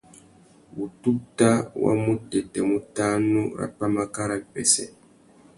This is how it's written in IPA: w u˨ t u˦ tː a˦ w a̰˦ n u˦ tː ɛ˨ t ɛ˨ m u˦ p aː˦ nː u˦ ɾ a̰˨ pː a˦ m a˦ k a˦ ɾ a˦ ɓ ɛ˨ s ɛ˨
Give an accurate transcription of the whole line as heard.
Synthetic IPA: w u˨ t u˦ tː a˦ w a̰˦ m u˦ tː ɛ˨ t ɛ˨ m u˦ t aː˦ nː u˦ ɾ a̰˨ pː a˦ m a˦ k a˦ ɾ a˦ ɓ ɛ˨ s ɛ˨